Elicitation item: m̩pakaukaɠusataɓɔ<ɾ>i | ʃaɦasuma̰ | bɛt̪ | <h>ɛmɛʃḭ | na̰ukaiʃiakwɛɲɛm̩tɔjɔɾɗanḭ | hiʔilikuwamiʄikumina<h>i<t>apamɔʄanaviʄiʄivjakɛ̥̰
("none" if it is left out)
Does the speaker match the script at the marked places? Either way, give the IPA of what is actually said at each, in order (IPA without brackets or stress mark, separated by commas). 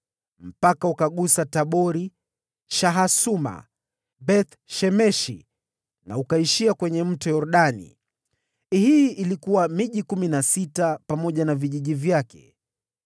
ɾ, ʃ, s, t